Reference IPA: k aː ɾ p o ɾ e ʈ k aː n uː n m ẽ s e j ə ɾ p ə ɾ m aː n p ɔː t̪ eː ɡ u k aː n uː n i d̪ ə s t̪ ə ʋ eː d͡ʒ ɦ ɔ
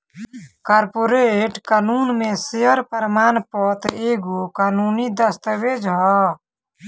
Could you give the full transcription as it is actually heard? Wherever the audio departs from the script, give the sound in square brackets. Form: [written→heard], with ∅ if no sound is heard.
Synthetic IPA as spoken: k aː ɾ p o ɾ e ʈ k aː n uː n m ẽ s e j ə ɾ p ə ɾ m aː n p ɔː t̪ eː ɡ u k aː n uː n i d̪ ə s t̪ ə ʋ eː d͡ʒ ɦ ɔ